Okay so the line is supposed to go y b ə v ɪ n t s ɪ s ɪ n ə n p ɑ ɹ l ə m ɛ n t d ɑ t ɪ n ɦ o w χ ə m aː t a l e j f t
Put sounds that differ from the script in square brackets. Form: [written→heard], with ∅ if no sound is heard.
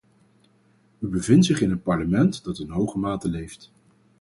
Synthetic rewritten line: y b ə v ɪ n t s ɪ [s→χ] ɪ n ə n p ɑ ɹ l ə m ɛ n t d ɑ t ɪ n ɦ o w χ ə m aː t [a→ə] l e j f t